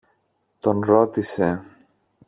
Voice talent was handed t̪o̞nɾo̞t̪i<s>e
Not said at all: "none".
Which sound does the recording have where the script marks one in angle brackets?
s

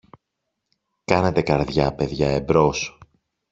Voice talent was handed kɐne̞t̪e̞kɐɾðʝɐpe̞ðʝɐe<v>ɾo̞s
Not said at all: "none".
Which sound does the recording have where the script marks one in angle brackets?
b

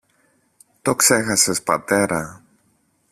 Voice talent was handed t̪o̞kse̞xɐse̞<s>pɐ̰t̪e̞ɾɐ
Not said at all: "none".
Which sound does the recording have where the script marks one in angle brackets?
s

